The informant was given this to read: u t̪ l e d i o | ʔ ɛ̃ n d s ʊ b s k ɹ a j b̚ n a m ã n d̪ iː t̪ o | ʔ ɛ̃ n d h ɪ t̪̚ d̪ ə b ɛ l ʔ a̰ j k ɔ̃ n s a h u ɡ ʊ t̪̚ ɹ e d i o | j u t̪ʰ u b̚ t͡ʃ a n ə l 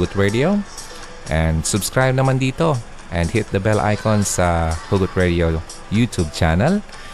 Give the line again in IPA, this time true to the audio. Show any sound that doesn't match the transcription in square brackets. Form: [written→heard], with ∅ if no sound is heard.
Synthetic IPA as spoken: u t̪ [l→ɹ] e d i o | ʔ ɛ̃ n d s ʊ b s k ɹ a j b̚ n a m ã n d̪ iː t̪ o | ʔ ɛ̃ n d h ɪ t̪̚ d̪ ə b ɛ l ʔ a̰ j k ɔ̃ n s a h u ɡ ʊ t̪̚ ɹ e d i o | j u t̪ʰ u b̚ t͡ʃ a n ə l